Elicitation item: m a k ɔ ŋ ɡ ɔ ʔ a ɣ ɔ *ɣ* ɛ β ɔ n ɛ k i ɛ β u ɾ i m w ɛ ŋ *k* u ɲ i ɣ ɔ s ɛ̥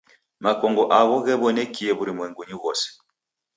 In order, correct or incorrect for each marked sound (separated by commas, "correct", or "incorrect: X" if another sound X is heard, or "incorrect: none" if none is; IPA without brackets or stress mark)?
correct, incorrect: ɡ